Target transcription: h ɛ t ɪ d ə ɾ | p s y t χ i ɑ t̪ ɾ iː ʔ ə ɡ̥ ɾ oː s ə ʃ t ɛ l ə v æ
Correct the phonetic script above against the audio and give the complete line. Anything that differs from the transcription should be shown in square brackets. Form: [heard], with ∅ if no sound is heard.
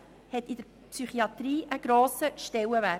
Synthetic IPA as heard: h ɛ t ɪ d ə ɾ | p s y [∅] χ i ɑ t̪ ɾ iː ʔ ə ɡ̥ ɾ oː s ə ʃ t ɛ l ə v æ